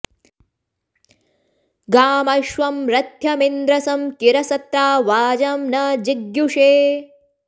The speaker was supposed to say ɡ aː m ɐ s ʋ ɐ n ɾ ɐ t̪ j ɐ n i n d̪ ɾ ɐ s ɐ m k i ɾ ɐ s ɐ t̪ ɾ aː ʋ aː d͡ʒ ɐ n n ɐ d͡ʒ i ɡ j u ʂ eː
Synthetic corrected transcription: ɡ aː m ɐ ʃ ʋ ɐ m ɾ ɐ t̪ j ɐ m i n d̪ ɾ ɐ s ɐ m k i ɾ ɐ s ɐ t̪ ɾ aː ʋ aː d͡ʒ ɐ m n ɐ d͡ʒ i ɡ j u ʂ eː